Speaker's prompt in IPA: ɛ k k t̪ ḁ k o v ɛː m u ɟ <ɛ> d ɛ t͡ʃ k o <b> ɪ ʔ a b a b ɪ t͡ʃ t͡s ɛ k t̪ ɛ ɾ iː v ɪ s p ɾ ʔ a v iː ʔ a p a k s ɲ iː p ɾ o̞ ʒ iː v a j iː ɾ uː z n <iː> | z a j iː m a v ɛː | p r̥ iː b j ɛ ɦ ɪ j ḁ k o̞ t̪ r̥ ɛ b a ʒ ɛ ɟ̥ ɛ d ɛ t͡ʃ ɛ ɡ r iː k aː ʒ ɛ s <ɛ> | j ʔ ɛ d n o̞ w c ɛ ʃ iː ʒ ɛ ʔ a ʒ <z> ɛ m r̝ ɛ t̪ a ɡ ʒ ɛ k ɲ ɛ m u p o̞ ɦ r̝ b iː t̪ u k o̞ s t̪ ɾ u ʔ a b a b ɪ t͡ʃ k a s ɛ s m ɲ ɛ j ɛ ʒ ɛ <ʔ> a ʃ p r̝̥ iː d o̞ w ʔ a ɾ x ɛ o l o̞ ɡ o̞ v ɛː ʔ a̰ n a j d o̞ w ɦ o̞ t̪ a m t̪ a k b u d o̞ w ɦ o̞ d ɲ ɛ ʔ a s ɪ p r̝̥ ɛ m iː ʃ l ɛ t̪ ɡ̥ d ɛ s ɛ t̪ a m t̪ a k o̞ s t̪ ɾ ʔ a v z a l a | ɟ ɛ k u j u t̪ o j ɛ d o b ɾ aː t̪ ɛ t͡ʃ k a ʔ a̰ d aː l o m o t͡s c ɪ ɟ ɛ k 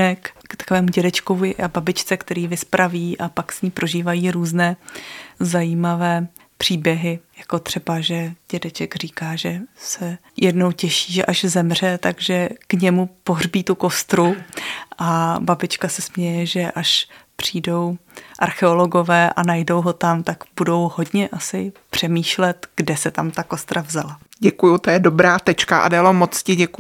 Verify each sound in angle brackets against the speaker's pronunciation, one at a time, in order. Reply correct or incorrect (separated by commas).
correct, incorrect, incorrect, correct, correct, correct